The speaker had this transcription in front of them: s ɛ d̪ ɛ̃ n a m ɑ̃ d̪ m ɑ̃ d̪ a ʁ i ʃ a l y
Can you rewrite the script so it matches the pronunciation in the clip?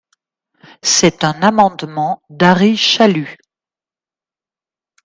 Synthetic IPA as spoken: s ɛ t̪ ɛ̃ n a m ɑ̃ d̪ m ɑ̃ d̪ a ʁ i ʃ a l y